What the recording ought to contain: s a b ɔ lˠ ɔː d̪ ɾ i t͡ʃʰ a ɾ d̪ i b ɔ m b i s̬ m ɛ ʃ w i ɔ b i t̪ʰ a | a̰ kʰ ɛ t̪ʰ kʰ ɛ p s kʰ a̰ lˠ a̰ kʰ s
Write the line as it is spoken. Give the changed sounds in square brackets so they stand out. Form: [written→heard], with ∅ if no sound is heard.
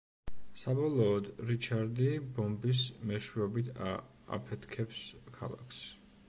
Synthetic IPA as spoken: s a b ɔ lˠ ɔː d̪ ɾ i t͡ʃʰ a ɾ d̪ i b ɔ m b i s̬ m ɛ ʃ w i ɔ b i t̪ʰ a | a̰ [kʰ→pʰ] ɛ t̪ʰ kʰ ɛ p s kʰ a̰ lˠ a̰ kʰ s